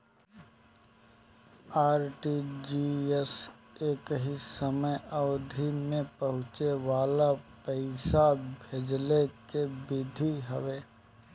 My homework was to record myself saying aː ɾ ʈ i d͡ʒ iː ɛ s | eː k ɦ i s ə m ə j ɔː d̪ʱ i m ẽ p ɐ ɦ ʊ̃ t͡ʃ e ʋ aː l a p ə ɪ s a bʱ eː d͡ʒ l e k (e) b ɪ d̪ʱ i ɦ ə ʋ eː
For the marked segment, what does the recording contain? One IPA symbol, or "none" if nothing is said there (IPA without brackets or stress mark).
e